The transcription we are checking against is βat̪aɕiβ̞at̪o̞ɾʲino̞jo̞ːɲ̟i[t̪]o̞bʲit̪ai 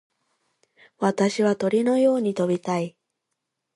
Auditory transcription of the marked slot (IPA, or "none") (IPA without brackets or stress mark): t̪